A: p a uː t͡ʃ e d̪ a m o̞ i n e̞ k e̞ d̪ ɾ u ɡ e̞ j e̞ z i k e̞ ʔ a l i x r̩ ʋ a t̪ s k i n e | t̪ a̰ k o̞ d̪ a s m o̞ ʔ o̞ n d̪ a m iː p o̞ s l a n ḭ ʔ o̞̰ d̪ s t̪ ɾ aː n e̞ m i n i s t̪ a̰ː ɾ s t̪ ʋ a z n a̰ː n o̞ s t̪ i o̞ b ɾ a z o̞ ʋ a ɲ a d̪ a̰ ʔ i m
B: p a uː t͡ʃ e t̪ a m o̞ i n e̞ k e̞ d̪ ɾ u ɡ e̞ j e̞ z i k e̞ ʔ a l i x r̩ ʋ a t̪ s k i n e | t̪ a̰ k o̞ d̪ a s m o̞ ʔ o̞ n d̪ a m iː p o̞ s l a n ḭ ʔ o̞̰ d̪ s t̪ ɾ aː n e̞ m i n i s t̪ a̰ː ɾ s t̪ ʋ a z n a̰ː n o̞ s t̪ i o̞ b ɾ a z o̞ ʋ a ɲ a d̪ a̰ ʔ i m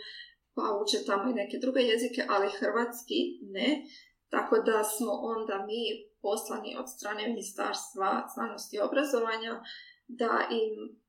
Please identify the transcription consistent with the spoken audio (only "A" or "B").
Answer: B